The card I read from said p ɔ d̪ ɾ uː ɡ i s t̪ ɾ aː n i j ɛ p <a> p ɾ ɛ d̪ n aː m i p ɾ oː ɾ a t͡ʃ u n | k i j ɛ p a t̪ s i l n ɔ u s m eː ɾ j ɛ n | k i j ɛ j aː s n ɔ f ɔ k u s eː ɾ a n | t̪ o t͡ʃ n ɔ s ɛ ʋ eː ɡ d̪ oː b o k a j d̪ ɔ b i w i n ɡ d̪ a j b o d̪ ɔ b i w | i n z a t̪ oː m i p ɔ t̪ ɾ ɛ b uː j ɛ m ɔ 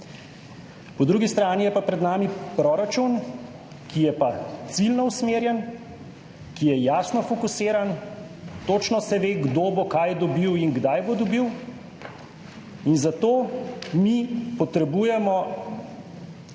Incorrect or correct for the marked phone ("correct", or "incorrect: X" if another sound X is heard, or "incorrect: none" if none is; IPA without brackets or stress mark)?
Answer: correct